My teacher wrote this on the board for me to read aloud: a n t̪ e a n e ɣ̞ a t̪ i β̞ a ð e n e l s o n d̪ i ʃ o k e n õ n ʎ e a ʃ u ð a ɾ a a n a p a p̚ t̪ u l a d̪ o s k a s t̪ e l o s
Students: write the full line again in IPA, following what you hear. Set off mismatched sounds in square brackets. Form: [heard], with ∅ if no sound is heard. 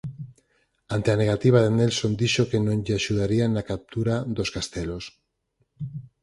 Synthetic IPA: a n t̪ e a n e ɣ̞ a t̪ i β̞ a ð e n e l s o n d̪ i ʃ o k e n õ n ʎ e a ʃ u ð a ɾ [i] a n a [k] a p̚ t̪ u [ɾ] a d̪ o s k a s t̪ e l o s